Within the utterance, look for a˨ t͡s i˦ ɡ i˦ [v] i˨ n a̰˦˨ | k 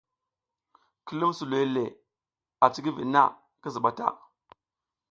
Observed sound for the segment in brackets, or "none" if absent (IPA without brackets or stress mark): v